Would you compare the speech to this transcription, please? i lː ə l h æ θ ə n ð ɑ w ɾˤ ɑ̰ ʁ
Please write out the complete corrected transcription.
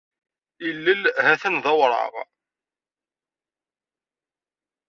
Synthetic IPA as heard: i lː ə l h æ θ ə n ð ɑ w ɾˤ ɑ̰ ʁ